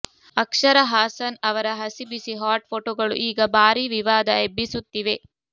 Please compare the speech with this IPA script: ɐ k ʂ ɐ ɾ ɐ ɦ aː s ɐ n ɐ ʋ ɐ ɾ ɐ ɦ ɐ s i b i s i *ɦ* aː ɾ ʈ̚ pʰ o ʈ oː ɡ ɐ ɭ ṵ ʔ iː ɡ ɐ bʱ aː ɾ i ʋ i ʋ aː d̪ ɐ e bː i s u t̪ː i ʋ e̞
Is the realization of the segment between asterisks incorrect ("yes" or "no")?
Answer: no